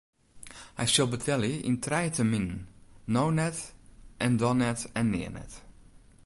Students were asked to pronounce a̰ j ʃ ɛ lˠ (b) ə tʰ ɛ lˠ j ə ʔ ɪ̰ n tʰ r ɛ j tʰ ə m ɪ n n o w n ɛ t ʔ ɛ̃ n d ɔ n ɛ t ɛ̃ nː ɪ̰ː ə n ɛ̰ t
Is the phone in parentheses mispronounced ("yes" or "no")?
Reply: no